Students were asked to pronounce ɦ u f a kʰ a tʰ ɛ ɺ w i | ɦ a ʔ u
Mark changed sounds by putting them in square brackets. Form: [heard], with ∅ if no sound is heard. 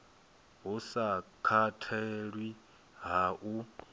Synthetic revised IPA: ɦ u [s] a kʰ a tʰ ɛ ɺ w i | ɦ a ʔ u